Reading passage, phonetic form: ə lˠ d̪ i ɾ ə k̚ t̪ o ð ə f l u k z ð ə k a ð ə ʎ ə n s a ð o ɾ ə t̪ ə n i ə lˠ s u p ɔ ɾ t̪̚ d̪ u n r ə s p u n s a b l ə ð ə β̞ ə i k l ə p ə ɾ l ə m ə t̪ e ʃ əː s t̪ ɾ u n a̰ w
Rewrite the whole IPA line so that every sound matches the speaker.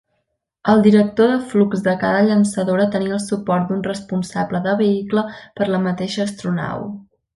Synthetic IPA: ə lˠ d̪ i ɾ ə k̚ t̪ o ð ə f l u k z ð ə k a ð ə ʎ ə n s ə ð o ɾ ə t̪ ə n i ə lˠ s u p ɔ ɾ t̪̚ d̪ u n r ə s p u n s a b l ə ð ə β̞ ə i k l ə p ə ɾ l ə m ə t̪ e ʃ əː s t̪ ɾ u n a̰ w